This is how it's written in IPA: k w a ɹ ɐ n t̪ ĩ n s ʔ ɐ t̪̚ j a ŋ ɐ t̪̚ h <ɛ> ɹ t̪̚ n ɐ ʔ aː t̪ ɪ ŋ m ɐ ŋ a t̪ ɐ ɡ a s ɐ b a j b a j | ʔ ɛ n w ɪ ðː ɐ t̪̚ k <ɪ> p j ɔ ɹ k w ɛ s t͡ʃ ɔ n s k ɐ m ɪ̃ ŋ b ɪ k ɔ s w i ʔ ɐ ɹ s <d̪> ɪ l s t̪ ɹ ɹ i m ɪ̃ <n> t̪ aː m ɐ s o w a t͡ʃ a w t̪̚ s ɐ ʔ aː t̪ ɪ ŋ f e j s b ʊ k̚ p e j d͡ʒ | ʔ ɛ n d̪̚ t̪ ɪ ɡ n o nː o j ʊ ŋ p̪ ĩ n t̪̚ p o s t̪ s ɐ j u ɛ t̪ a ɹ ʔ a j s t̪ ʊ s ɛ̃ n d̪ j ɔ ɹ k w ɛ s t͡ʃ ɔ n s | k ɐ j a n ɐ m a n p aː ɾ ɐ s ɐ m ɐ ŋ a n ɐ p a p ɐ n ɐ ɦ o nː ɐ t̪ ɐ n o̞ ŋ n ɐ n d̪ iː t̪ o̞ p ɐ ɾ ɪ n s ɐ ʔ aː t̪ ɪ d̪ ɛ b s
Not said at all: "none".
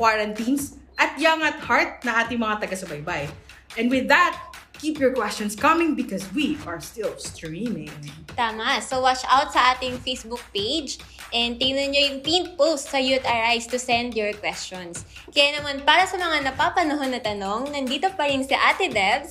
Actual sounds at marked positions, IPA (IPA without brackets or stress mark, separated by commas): a, i, t̪, ŋ